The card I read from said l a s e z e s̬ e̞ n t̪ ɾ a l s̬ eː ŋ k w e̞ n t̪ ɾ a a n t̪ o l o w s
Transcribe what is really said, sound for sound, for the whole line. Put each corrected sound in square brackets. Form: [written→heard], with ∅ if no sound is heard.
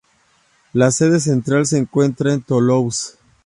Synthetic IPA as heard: l a s e [z→ð] e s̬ e̞ n t̪ ɾ a l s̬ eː ŋ k w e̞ n t̪ ɾ a [a→e] n t̪ o l o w s